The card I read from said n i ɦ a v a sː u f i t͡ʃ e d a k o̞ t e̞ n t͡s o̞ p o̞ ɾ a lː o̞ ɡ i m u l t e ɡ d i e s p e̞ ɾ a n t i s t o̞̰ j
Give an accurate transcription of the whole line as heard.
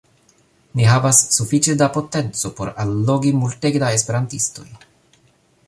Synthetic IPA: n i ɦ a v a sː u f i t͡ʃ e d a p o̞ t e̞ n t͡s o̞ p o̞ ɾ a lː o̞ ɡ i m u l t e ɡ d a e s p e̞ ɾ a n t i s t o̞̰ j